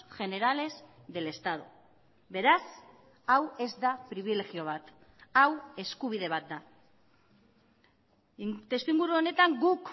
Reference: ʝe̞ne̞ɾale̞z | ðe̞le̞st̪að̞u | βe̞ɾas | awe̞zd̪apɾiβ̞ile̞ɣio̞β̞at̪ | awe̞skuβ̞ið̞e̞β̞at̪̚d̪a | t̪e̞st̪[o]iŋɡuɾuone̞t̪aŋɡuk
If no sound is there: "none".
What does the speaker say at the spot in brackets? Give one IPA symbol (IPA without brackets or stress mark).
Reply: u